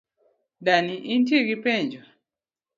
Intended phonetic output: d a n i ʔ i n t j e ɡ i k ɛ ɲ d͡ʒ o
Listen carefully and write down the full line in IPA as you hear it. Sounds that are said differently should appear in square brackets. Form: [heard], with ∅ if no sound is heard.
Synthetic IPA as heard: d a n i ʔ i n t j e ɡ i [p] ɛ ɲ d͡ʒ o